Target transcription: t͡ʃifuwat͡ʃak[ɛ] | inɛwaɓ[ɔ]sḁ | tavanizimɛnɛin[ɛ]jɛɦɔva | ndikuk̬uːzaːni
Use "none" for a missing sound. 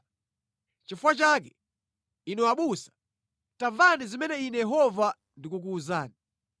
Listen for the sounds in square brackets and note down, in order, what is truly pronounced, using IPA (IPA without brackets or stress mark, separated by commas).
ɛ, u, ɛ